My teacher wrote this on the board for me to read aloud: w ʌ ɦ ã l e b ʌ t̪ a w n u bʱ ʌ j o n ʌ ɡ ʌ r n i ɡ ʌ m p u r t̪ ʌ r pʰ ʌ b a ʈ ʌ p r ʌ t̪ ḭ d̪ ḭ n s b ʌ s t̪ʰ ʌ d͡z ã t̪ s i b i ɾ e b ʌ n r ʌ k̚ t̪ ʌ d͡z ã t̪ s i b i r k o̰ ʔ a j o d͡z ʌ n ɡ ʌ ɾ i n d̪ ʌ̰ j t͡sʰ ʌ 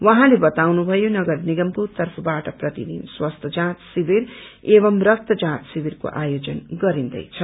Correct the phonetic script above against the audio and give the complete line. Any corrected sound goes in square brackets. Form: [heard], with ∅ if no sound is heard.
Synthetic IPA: w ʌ ɦ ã l e b ʌ t̪ a w n u bʱ ʌ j o n ʌ ɡ ʌ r n i ɡ ʌ m p u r t̪ ʌ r pʰ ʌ b a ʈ ʌ p r ʌ t̪ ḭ d̪ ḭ n s [w] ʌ s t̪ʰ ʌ d͡z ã t̪ s i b i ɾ e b ʌ [m] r ʌ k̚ t̪ ʌ d͡z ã t̪ s i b i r k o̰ ʔ a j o d͡z ʌ n ɡ ʌ ɾ i n d̪ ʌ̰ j t͡sʰ ʌ